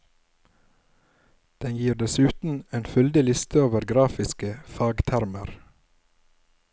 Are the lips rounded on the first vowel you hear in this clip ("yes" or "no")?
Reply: no